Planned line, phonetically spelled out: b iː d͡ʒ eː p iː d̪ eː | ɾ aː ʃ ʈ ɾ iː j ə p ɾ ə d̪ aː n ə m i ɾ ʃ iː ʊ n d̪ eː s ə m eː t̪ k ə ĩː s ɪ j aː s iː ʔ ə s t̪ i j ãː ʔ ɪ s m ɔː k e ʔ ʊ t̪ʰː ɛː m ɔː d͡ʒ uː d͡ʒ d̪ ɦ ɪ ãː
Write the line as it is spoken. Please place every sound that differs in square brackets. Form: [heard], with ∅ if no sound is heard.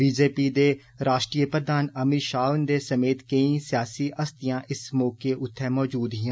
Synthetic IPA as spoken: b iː d͡ʒ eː p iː d̪ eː | ɾ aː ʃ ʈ ɾ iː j ə p ɾ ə d̪ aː n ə m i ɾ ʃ [aː] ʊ n d̪ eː s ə m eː t̪ k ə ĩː s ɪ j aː s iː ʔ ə s t̪ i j ãː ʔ ɪ s m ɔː k e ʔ ʊ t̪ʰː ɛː m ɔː d͡ʒ uː [∅] d̪ ɦ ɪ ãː